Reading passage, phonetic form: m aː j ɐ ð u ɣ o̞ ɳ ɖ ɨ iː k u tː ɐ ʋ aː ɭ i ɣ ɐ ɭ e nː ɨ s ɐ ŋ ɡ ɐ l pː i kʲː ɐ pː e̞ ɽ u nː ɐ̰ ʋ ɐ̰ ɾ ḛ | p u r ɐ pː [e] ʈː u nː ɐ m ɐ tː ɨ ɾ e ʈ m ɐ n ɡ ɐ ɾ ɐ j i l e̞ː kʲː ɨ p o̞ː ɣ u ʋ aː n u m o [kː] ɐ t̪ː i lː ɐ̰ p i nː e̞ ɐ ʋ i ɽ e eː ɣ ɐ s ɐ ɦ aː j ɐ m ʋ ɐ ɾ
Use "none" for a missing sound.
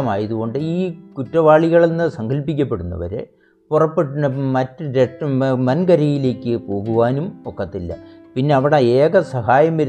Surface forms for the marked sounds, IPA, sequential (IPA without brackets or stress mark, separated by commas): e, kː